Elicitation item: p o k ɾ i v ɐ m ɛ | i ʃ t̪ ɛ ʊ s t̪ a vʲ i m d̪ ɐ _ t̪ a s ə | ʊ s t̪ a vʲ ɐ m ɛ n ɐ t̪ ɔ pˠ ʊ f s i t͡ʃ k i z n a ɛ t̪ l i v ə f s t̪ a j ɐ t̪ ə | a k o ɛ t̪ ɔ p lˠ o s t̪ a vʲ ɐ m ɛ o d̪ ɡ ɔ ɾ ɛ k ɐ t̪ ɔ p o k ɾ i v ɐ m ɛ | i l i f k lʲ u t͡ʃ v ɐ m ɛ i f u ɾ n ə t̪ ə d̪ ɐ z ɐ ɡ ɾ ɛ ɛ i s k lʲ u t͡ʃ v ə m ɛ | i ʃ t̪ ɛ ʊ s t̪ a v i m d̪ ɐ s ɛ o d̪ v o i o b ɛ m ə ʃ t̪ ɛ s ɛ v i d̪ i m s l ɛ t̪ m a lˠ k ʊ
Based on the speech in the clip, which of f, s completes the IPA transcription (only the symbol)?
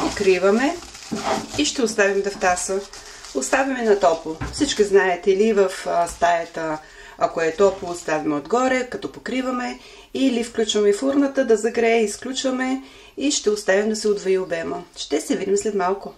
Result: f